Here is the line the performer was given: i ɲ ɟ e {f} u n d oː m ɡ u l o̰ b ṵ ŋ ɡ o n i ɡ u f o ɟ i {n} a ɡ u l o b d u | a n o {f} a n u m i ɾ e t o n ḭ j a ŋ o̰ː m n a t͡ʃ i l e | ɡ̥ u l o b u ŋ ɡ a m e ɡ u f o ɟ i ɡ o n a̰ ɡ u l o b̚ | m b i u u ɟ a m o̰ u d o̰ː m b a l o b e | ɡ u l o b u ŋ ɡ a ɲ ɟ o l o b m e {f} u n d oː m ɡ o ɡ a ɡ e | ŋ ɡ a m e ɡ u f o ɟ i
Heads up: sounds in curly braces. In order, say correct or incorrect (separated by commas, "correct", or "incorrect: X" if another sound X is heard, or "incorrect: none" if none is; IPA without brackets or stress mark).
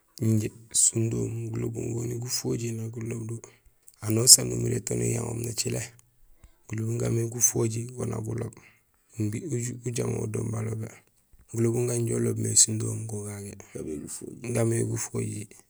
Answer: incorrect: s, correct, incorrect: s, incorrect: s